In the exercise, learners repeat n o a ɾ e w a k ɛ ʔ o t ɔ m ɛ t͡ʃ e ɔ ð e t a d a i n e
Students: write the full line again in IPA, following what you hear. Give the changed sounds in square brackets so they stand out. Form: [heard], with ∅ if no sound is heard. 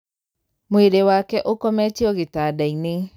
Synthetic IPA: [m] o [e] ɾ e w a k ɛ ʔ o [k] ɔ m ɛ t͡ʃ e ɔ [ɣ] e t a d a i n e